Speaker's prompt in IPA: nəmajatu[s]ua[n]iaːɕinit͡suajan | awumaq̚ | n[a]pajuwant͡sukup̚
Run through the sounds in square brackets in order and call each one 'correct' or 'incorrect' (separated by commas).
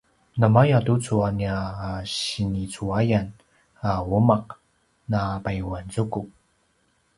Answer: incorrect, correct, correct